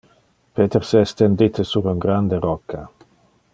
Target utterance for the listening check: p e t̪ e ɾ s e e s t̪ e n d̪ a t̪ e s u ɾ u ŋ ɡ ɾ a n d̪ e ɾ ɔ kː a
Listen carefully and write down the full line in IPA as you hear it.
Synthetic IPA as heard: p e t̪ e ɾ s e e s t̪ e n d̪ i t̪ e s u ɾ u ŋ ɡ ɾ a n d̪ e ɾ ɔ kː a